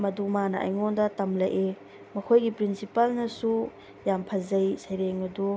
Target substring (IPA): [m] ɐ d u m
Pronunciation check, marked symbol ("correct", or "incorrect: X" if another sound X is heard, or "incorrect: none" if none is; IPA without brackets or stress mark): correct